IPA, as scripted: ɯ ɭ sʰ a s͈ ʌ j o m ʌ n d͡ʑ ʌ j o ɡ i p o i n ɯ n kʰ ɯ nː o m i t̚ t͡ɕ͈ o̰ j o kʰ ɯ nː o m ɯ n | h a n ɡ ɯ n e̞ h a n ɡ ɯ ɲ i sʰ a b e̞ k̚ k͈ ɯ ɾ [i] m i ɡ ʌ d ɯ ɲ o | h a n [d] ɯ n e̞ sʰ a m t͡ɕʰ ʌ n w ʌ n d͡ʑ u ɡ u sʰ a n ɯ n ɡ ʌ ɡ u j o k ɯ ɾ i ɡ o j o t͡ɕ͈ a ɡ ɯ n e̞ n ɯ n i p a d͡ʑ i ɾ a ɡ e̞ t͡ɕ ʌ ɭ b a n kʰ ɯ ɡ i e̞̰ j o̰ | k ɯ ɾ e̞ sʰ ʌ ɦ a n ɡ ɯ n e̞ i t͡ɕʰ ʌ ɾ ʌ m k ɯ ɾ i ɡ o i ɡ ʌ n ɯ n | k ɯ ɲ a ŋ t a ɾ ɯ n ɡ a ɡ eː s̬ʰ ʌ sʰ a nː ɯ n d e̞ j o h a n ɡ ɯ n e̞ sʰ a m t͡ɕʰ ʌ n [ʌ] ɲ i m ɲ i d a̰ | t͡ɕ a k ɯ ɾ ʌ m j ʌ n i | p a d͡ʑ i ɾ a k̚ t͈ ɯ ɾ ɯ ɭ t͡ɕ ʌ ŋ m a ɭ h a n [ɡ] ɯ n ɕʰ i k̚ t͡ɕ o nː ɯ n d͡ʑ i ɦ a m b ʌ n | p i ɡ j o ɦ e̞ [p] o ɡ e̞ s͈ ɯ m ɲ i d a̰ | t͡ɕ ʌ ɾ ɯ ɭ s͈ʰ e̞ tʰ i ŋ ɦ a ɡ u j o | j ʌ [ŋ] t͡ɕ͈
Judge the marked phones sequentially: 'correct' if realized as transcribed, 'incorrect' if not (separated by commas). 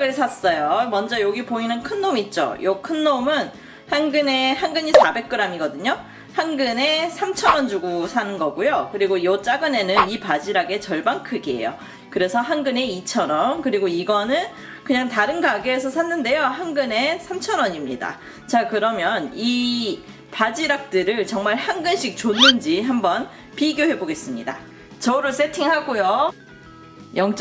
incorrect, incorrect, correct, correct, incorrect, correct